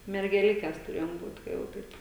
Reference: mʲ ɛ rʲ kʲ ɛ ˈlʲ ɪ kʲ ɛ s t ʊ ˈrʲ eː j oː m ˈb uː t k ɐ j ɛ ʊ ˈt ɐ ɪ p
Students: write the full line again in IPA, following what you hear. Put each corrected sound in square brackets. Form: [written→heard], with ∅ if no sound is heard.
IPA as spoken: mʲ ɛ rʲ [kʲ→ɡʲ] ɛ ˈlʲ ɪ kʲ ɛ s t ʊ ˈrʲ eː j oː m ˈb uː t k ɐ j ɛ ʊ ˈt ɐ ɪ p